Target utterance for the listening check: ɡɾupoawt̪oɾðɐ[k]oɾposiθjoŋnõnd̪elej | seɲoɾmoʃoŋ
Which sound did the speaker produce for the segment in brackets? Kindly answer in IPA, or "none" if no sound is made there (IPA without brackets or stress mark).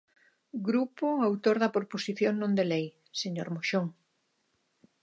p